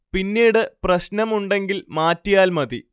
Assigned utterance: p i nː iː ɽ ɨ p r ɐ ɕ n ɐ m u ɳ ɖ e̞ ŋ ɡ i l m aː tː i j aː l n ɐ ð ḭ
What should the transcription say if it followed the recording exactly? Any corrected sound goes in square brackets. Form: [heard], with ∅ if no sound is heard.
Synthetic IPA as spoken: p i nː iː ɽ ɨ p r ɐ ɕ n ɐ m u ɳ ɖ e̞ ŋ ɡ i l m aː tː i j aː l [m] ɐ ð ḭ